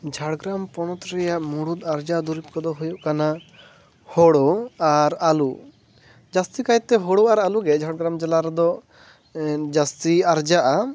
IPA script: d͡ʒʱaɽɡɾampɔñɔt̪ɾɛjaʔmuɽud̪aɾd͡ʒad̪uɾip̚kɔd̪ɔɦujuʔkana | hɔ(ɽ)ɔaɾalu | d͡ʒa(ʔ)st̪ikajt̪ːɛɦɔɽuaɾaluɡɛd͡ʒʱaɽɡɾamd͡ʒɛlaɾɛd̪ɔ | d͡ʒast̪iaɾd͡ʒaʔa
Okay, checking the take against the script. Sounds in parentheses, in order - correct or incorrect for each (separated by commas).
correct, incorrect